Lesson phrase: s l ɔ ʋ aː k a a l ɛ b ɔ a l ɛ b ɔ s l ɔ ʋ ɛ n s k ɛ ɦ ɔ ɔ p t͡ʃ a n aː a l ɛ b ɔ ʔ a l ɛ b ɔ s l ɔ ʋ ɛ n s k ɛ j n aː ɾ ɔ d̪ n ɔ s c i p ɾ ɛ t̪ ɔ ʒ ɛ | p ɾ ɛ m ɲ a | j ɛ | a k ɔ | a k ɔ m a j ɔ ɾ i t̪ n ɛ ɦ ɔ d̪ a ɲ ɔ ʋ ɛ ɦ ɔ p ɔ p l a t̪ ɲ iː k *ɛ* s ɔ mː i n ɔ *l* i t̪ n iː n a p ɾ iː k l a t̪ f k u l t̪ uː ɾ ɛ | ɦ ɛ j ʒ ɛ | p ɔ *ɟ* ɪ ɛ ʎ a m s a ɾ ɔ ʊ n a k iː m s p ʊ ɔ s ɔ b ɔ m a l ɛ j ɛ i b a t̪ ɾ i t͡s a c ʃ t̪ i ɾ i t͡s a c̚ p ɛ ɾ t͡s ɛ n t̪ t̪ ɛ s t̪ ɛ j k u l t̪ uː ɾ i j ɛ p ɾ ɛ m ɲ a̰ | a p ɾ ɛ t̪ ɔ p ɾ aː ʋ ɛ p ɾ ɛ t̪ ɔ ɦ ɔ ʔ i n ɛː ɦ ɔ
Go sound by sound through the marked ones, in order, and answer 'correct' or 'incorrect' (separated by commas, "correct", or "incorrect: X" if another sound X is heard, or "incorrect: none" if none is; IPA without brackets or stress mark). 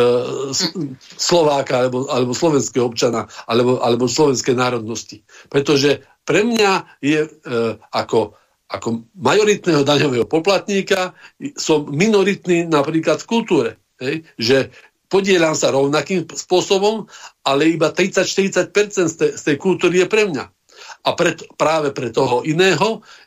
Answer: incorrect: a, incorrect: ɾ, correct